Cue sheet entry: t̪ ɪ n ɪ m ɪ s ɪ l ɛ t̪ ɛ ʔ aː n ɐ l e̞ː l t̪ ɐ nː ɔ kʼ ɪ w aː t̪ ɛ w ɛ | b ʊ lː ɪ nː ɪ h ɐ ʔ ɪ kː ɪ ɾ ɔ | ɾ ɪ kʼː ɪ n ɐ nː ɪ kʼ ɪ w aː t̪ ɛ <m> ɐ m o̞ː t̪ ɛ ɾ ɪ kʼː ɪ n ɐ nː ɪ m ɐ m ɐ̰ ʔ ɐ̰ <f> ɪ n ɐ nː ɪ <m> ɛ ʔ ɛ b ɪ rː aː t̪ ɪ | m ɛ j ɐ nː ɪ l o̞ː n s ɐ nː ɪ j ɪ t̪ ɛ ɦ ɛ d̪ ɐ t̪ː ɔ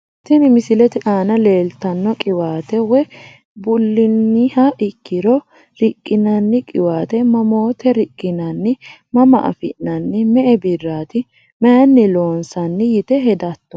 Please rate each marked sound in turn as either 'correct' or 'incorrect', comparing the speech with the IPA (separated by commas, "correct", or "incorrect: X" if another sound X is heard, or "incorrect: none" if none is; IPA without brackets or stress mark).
correct, correct, correct